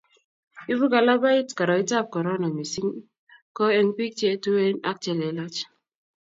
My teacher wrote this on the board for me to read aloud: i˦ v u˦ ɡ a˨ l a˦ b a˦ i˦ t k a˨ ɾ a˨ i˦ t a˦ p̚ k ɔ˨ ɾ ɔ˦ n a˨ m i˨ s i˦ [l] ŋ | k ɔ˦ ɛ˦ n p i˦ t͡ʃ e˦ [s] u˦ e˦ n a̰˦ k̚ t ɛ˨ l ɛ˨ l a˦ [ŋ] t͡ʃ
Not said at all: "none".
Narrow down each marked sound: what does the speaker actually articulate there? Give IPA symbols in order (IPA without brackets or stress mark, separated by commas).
none, t, none